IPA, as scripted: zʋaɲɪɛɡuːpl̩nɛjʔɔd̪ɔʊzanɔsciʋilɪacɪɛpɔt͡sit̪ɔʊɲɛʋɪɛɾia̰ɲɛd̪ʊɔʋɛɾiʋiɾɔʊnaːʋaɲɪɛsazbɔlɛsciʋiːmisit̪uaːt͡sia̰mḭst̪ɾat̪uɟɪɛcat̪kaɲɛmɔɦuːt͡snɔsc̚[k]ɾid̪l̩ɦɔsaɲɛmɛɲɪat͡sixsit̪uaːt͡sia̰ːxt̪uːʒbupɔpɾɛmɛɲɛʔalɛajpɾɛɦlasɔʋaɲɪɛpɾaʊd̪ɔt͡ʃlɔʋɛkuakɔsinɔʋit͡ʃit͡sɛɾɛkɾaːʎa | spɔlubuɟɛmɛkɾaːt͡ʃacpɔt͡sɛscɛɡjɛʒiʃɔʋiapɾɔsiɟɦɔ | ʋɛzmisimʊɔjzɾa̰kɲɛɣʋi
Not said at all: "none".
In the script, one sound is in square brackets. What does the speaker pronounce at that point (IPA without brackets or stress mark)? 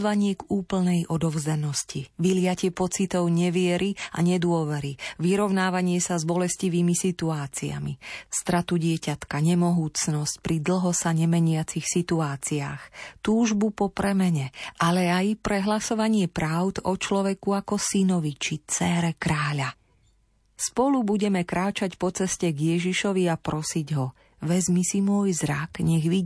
p